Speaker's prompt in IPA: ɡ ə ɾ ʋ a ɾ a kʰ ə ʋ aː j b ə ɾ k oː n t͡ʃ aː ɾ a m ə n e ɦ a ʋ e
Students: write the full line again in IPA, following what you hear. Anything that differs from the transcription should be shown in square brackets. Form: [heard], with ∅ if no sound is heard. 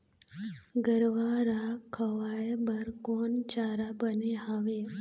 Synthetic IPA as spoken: ɡ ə ɾ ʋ a ɾ a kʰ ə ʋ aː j b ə ɾ k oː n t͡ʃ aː ɾ a [b] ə n e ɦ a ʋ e